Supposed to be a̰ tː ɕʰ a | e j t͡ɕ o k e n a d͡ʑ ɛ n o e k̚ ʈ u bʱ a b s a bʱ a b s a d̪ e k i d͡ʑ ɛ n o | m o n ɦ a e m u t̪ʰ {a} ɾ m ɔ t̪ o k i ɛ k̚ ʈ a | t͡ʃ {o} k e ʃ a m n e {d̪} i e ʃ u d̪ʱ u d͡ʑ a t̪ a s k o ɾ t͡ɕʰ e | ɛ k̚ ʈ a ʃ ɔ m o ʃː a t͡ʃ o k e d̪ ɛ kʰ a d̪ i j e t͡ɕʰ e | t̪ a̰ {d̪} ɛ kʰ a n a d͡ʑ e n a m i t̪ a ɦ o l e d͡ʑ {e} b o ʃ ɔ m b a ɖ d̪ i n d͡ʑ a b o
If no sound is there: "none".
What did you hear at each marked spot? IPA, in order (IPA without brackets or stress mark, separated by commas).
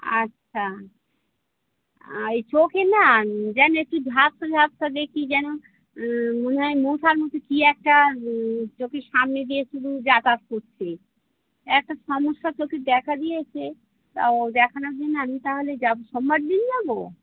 a, o, d̪, d̪, a